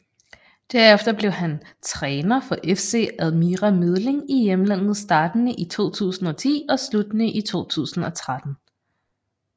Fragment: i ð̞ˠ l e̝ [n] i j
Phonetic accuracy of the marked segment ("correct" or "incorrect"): incorrect